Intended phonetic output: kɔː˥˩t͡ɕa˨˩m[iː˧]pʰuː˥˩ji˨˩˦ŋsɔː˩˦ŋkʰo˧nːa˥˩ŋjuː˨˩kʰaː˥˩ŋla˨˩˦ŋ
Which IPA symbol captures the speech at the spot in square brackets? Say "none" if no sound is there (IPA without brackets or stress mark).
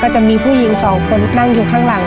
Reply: iː˧